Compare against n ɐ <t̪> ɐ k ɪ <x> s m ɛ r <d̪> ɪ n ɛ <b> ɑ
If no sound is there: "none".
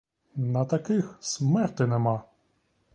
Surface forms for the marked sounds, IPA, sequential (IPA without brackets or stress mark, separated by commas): t̪, x, t̪, m